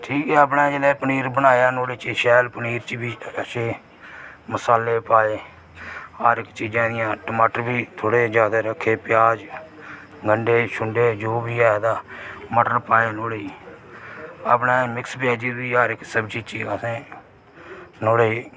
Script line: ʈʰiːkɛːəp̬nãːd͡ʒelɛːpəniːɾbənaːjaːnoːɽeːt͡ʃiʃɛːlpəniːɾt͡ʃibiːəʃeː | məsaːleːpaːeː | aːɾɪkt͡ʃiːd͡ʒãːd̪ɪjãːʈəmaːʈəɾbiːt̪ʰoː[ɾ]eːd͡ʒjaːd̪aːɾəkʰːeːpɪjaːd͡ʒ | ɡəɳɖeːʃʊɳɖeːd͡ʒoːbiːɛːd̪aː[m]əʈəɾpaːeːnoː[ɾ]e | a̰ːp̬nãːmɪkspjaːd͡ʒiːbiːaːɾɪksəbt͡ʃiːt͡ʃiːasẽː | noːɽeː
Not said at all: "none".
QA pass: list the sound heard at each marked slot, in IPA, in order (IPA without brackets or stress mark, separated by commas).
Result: ɽ, m, ɽ